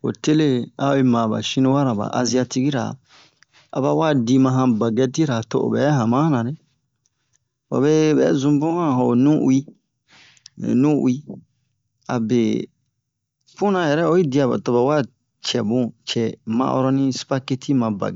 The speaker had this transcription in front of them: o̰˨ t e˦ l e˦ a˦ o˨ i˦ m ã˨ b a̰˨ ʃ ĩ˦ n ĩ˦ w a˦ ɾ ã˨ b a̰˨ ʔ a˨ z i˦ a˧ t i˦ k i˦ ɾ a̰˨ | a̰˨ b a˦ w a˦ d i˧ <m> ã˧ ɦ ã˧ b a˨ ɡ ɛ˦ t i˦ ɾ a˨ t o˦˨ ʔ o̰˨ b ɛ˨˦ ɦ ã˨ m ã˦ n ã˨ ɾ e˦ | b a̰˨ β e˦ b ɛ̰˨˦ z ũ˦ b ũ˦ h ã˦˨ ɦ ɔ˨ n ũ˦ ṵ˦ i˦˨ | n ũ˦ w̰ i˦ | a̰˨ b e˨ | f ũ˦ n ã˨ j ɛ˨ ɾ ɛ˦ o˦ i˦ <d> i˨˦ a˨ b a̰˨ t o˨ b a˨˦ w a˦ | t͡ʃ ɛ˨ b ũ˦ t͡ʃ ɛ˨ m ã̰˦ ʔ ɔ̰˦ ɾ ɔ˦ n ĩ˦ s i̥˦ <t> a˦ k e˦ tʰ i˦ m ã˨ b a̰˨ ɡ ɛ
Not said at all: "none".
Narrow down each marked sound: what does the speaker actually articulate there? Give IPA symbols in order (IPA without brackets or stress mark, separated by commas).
m, d, p